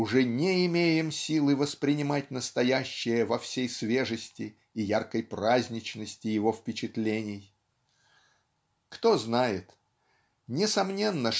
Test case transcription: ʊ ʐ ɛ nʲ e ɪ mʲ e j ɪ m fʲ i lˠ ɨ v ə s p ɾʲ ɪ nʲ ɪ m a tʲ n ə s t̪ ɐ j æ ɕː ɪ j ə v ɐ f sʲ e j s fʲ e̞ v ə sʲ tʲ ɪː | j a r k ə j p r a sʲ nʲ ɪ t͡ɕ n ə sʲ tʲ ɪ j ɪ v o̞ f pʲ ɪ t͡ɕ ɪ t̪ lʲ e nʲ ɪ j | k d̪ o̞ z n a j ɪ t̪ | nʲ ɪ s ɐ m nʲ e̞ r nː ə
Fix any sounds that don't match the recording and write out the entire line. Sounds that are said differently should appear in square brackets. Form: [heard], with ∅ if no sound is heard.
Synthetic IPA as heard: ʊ ʐ ɛ nʲ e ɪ mʲ e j ɪ m [sʲ] i lˠ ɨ v ə s p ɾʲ ɪ nʲ ɪ m a tʲ n ə s t̪ ɐ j æ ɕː ɪ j ə v ɐ f sʲ e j s [vʲ] e̞ [ʐ] ə sʲ tʲ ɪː | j a r k ə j p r a [zʲ] nʲ ɪ t͡ɕ n ə sʲ tʲ ɪ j ɪ v o̞ f pʲ ɪ t͡ɕ ɪ t̪ lʲ e nʲ ɪ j | k [t̪] o̞ z n a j ɪ t̪ | nʲ ɪ s ɐ m nʲ e̞ [∅] nː ə